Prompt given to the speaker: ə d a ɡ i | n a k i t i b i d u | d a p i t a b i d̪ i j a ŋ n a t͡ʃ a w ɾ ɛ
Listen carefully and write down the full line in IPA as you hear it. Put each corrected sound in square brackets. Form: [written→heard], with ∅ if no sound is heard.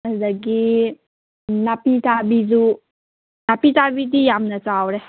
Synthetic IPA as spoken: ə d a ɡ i | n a [k→p] i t [i→a] b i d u | [d→n] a p i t a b i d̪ i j a [ŋ→m] n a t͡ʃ a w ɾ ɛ